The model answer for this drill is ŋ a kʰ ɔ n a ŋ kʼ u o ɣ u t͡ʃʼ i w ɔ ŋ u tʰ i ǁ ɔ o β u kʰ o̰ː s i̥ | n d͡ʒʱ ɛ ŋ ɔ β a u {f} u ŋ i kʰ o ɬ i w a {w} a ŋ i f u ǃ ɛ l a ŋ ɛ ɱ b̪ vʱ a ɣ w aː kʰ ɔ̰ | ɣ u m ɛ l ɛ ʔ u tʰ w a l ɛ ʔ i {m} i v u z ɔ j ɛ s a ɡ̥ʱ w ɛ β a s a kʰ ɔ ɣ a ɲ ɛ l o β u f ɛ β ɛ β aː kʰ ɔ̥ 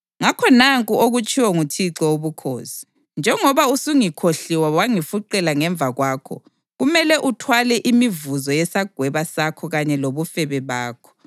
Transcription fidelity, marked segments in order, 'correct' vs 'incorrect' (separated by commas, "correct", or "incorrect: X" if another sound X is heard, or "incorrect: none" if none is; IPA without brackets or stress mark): incorrect: s, correct, correct